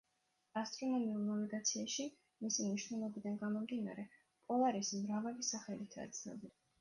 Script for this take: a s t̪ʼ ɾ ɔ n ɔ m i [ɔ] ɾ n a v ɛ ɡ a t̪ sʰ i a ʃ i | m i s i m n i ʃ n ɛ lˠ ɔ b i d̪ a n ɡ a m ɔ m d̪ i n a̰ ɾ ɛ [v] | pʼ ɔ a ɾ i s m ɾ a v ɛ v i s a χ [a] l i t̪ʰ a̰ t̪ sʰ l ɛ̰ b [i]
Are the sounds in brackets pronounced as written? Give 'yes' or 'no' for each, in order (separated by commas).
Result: no, no, no, yes